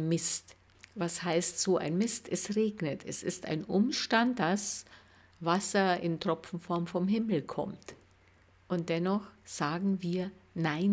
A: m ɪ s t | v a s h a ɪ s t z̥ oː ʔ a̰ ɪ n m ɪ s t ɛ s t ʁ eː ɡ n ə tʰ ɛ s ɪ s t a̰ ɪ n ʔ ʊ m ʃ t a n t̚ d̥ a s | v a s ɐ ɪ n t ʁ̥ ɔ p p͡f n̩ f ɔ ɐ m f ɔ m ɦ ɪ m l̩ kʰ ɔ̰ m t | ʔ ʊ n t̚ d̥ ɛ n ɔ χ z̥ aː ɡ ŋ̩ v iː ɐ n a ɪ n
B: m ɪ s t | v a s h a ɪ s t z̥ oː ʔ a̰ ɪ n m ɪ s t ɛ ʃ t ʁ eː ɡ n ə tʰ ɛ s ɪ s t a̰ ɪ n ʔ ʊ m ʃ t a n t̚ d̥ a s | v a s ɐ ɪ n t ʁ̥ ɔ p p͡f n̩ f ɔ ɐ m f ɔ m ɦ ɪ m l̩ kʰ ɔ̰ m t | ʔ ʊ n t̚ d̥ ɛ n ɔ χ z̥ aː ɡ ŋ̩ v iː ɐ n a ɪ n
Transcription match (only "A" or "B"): A